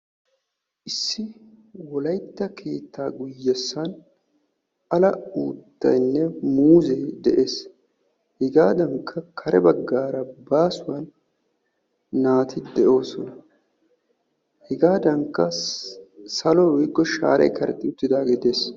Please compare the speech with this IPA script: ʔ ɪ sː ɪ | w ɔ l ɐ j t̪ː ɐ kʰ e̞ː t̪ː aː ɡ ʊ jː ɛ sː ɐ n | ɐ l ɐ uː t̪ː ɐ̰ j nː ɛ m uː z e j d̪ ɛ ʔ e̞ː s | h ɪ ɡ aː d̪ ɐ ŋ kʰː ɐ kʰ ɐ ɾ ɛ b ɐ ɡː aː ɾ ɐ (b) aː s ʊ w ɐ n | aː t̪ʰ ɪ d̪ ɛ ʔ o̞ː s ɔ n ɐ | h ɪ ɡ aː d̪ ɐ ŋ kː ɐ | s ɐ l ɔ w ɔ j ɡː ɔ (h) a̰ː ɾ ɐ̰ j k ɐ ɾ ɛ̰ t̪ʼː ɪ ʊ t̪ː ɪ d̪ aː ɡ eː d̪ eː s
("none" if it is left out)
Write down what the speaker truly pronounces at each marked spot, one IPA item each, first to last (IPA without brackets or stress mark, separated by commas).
b, ʃ